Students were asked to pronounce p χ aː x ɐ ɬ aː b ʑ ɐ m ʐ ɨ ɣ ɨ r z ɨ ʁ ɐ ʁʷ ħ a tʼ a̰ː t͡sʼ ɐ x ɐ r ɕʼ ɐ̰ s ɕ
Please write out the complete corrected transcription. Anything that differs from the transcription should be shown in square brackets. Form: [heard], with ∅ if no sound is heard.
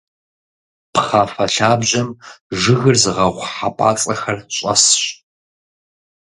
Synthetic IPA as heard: p χ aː [f] ɐ ɬ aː b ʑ ɐ m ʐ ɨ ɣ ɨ r z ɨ ʁ ɐ ʁʷ ħ a [pʼ] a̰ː t͡sʼ ɐ x ɐ r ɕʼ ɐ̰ s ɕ